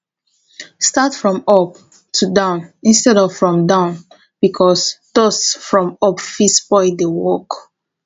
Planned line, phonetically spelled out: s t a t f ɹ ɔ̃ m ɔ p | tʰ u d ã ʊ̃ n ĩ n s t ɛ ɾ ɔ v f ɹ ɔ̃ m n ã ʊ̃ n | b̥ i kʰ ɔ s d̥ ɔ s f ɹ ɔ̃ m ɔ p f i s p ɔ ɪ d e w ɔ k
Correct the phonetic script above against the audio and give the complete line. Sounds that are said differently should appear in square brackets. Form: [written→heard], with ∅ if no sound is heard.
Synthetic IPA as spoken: s t a t f ɹ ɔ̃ m ɔ p | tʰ u d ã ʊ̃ n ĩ n s t ɛ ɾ ɔ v f ɹ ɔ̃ m [n→d] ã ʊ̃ n | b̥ i kʰ ɔ s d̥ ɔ s f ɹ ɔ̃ m ɔ p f i s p ɔ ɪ d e w ɔ k